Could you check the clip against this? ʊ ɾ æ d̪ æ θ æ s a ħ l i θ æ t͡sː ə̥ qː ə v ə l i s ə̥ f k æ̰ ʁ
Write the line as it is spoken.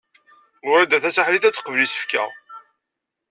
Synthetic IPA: ʊ ɾ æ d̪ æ θ æ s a ħ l i θ æ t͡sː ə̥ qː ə v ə l i s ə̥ f k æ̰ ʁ

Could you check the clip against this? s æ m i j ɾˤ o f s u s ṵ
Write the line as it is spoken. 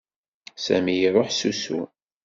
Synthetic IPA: s æ m i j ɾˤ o ħ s u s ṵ

